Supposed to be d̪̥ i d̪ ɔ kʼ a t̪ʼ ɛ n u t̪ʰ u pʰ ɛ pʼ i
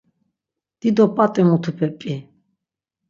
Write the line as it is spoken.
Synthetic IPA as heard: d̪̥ i d̪ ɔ pʼ a t̪ʼ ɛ m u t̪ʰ u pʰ ɛ pʼ i